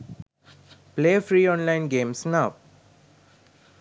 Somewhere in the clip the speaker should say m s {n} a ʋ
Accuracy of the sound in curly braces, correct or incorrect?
correct